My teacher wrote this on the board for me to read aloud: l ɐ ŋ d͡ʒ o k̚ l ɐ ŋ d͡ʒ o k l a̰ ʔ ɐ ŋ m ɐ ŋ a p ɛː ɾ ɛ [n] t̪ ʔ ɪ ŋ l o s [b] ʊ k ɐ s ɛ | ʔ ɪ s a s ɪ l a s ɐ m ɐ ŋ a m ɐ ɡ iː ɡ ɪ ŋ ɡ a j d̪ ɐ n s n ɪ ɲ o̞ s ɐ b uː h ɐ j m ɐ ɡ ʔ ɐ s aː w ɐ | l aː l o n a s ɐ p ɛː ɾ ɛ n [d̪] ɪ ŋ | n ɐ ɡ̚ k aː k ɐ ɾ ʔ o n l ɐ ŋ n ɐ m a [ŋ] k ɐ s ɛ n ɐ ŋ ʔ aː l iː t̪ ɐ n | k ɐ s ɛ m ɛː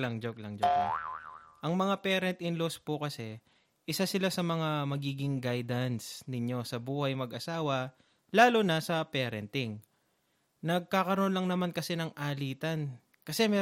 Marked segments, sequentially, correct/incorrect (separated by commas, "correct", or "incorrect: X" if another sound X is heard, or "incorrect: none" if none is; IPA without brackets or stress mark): correct, incorrect: p, incorrect: t̪, incorrect: n